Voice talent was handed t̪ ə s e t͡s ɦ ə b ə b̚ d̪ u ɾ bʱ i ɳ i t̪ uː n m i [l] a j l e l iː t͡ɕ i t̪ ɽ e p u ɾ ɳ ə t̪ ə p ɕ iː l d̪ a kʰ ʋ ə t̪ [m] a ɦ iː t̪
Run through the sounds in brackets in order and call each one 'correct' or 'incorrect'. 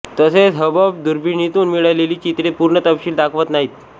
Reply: incorrect: ɭ, incorrect: n

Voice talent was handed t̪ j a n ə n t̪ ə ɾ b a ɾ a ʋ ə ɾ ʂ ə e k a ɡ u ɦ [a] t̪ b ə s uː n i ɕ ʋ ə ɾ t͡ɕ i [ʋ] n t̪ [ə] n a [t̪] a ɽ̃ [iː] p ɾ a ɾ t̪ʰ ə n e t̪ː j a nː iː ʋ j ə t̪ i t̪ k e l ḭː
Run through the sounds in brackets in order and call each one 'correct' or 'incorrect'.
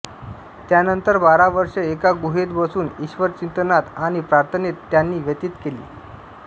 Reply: incorrect: e, incorrect: none, correct, correct, incorrect: i

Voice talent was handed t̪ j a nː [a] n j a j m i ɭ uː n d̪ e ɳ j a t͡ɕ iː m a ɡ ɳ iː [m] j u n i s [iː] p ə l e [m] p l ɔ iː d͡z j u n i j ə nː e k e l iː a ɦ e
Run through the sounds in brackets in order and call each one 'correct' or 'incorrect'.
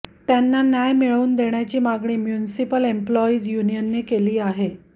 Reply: correct, correct, incorrect: i, correct

